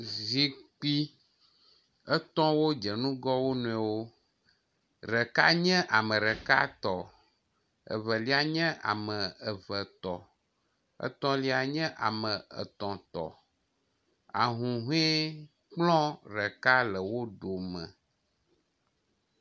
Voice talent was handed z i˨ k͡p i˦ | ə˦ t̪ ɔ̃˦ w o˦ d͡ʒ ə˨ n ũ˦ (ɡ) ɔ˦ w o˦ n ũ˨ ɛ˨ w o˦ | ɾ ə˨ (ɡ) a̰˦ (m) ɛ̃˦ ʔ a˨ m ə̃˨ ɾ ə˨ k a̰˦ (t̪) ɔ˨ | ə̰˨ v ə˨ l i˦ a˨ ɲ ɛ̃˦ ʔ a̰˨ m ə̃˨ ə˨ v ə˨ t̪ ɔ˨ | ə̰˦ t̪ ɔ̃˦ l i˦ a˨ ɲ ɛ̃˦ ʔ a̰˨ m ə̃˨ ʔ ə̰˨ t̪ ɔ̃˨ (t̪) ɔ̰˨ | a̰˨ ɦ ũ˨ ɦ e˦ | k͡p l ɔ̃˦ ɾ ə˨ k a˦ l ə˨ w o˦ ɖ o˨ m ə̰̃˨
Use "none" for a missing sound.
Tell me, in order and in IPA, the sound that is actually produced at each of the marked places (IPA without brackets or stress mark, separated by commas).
ɡ, k, ɲ, t̪, t̪